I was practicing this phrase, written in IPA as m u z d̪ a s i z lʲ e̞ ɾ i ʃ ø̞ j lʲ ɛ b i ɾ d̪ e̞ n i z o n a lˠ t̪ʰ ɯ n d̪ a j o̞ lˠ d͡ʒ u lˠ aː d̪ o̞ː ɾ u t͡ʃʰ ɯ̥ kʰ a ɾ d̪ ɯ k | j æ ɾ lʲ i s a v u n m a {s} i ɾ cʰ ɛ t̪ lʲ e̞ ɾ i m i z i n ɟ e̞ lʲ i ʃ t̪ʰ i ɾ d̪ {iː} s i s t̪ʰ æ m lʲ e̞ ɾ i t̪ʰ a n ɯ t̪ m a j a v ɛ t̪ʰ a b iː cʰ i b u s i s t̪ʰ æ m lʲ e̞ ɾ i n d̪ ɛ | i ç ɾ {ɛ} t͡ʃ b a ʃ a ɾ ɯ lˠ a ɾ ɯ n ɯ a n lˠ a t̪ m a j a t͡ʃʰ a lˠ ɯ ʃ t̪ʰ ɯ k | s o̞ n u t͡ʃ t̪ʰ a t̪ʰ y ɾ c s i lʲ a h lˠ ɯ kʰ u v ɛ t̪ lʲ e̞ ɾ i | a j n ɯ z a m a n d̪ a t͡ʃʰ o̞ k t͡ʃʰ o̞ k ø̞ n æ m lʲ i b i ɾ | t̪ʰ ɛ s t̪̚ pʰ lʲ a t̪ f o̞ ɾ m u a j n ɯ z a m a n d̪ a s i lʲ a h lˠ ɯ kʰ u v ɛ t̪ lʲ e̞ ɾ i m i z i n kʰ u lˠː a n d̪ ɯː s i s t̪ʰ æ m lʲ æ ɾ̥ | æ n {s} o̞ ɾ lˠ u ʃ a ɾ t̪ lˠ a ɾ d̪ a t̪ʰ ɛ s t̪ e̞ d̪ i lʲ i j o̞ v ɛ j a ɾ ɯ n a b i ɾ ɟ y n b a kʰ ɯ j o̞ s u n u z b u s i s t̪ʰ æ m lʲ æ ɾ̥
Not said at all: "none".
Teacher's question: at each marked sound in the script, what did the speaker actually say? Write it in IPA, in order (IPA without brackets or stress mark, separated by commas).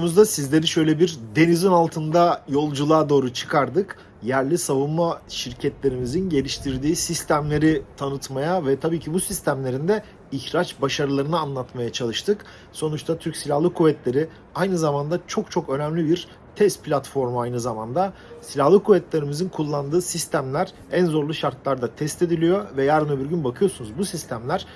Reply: ʃ, iː, a, z